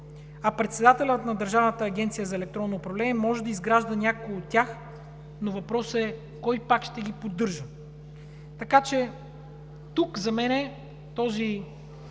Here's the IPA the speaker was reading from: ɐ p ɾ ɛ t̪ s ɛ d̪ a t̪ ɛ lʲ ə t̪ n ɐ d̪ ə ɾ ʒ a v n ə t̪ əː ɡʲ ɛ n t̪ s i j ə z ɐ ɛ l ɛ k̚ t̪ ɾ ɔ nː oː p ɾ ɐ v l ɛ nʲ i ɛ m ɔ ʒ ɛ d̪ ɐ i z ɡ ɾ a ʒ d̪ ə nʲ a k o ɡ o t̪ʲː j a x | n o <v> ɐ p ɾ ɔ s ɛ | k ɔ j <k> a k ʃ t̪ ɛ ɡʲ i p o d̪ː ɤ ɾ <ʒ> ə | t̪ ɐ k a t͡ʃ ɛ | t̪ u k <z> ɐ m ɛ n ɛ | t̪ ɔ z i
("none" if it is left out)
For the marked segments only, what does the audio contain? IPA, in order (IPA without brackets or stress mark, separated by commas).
v, p, ʒ, z